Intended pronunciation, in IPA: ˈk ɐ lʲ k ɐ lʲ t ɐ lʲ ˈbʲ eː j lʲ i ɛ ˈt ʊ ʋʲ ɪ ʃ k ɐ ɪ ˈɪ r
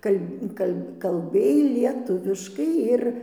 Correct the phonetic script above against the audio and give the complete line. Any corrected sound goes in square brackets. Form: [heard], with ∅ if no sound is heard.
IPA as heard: ˈk ɐ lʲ k ɐ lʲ [k] ɐ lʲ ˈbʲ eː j lʲ i ɛ ˈt ʊ ʋʲ ɪ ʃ k ɐ ɪ ˈɪ r